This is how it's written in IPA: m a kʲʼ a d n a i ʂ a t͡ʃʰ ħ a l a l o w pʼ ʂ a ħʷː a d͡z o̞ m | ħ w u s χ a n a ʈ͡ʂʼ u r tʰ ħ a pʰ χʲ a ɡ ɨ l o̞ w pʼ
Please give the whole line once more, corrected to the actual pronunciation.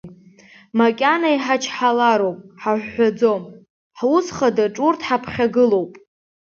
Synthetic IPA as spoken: m a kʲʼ a n a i ħ a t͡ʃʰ ħ a l a ɾ o w pʼ ħ a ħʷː a d͡z o̞ m | ħ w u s χ a d a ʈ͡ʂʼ u r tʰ ħ a pʰ χʲ a ɡ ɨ l o̞ w pʼ